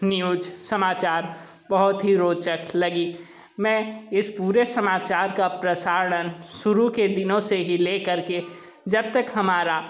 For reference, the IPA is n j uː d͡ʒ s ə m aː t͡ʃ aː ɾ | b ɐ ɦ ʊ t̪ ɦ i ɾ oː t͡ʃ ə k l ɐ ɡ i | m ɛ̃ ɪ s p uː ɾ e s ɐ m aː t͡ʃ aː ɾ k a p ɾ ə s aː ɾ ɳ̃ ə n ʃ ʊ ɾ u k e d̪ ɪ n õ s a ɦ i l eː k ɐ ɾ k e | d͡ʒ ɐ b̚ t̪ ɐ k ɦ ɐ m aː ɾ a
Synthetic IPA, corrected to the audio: n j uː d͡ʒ s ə m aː t͡ʃ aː ɾ | b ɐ ɦ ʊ t̪ ɦ i ɾ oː t͡ʃ ə k l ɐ ɡ i | m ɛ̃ ɪ s p uː ɾ e s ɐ m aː t͡ʃ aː ɾ k a p ɾ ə s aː ɾ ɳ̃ ə n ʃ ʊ ɾ u k e d̪ ɪ n õ s e ɦ i l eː k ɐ ɾ k e | d͡ʒ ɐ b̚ t̪ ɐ k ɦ ɐ m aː ɾ a